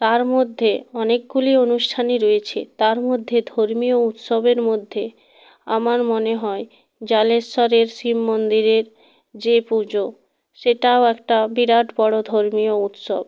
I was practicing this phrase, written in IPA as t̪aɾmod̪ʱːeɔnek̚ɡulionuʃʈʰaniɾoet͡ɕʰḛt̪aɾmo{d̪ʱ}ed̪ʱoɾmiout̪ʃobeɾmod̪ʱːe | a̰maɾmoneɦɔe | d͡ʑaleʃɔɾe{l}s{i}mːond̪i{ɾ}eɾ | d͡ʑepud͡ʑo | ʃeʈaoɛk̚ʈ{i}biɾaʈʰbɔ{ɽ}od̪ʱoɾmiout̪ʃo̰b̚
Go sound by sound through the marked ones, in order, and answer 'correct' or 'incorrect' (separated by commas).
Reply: incorrect, incorrect, correct, correct, incorrect, correct